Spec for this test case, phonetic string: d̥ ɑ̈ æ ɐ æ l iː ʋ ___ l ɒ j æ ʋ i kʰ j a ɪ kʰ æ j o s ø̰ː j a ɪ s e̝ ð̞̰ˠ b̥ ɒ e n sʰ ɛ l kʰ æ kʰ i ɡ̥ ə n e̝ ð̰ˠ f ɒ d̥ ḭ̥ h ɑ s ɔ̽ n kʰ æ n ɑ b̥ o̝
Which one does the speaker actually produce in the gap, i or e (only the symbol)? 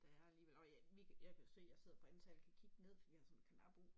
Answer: e